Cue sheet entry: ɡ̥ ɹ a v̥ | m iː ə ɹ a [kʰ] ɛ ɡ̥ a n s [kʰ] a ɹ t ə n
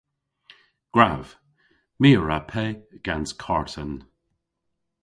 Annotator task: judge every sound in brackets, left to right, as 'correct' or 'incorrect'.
incorrect: pʰ, correct

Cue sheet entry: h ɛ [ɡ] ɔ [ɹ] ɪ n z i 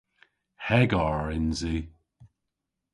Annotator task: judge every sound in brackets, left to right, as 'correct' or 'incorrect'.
correct, correct

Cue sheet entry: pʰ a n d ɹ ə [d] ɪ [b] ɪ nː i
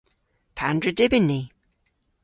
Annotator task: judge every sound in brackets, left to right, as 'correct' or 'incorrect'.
correct, correct

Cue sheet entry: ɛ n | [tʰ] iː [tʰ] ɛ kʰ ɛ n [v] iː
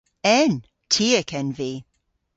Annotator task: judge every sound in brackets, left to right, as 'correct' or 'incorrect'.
correct, incorrect: none, correct

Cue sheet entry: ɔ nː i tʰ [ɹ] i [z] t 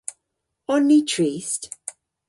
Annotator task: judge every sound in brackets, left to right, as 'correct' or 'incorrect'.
correct, incorrect: s

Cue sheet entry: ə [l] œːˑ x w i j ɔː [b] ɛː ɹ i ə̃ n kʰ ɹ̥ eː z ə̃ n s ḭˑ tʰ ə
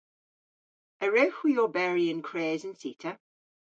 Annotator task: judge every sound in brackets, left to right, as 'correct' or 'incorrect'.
incorrect: ɹ, correct

